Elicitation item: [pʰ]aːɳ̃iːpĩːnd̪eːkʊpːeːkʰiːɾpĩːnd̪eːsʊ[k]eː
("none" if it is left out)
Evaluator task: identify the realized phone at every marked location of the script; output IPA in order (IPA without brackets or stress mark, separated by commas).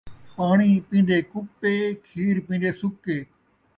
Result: p, k